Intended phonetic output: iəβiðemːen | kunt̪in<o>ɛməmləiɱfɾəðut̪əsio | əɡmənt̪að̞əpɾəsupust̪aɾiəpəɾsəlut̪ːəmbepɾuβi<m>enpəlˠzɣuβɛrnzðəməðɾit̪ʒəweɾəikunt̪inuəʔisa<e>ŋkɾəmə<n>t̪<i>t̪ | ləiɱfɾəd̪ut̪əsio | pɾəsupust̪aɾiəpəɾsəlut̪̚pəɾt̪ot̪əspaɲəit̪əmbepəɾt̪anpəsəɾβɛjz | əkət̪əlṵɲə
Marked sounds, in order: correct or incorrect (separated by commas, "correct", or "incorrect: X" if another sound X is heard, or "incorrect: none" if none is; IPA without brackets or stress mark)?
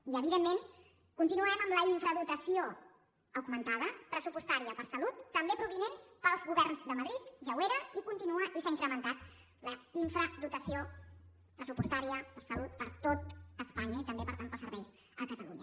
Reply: incorrect: u, incorrect: n, incorrect: i, correct, incorrect: a